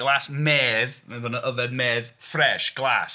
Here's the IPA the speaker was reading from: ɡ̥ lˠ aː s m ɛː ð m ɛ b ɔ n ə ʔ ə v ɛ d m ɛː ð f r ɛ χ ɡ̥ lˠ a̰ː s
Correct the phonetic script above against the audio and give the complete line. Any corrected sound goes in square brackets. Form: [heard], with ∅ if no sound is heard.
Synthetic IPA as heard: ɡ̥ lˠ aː s m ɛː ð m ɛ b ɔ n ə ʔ ə v ɛ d m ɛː ð f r ɛ [ʃ] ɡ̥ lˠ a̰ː s